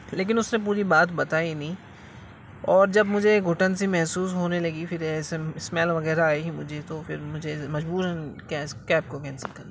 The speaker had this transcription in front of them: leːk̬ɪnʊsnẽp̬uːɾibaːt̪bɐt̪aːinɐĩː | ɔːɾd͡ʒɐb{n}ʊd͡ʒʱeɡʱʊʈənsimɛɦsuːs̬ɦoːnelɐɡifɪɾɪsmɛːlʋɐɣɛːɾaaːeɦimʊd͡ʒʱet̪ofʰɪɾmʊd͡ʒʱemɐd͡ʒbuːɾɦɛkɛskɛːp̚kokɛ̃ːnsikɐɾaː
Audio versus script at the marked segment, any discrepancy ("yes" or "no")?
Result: yes